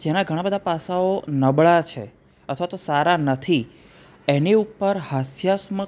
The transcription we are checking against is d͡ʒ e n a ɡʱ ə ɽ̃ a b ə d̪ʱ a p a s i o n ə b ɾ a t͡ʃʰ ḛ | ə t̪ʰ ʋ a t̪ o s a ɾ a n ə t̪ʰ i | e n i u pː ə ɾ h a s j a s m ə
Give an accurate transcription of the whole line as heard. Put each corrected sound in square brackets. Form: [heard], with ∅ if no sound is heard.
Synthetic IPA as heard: d͡ʒ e n a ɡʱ ə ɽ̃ a b ə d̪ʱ a p a s [a] o n ə b [ɭ] a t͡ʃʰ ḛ | ə t̪ʰ ʋ a t̪ o s a ɾ a n ə t̪ʰ i | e n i u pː ə ɾ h a s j a s m ə